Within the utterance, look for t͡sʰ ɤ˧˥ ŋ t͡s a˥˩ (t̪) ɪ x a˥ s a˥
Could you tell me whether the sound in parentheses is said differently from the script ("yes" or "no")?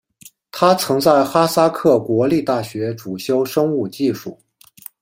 yes